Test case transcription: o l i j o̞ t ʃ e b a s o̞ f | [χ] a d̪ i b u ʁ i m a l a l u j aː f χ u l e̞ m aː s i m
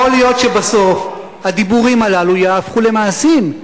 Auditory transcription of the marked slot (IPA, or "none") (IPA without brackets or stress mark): h